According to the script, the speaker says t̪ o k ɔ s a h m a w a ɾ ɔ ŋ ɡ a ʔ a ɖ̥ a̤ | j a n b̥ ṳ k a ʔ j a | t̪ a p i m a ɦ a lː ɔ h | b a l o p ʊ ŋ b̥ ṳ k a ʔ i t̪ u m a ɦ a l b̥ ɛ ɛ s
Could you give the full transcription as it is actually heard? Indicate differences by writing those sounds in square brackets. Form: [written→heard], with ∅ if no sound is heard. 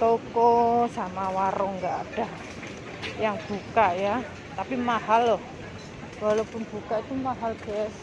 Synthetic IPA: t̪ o k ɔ s a [h→∅] m a w a ɾ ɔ ŋ ɡ a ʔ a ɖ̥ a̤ | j a [n→ŋ] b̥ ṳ k a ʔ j a | t̪ a p i m a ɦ a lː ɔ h | [b→w] a l o p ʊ [ŋ→n] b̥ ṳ k a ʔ i t̪ u m a ɦ a l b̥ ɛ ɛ s

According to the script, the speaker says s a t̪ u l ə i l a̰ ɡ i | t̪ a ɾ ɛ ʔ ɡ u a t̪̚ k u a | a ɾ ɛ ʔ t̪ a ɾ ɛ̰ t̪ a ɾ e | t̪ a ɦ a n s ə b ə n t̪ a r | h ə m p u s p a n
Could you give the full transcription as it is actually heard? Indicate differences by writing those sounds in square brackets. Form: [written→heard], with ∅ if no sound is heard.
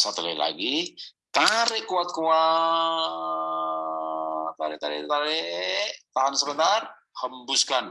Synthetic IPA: s a t̪ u l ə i l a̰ ɡ i | t̪ a ɾ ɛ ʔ [ɡ→k] u a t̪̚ k u a | a ɾ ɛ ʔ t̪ a ɾ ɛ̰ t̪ a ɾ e | t̪ a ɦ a n s ə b ə n t̪ a r | h ə m [p→b] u s [p→k] a n

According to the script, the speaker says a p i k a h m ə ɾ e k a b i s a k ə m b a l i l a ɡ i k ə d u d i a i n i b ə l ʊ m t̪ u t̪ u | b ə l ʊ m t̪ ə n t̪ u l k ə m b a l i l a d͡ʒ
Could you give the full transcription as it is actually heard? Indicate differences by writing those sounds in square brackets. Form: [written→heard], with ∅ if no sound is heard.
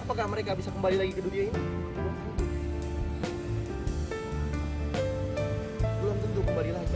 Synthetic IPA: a p [i→a] k a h m ə ɾ e k a b i s a k ə m b a l i l a ɡ i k ə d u d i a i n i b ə l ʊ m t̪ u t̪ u | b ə l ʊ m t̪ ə n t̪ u [l→∅] k ə m b a l i l a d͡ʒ

